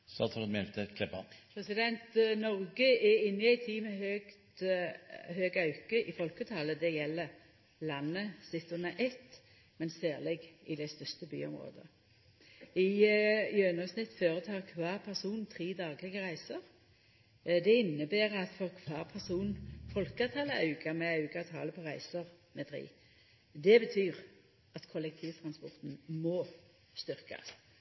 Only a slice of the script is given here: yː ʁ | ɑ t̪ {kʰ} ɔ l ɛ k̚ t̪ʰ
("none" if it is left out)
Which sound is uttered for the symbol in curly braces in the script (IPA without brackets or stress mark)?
kʰ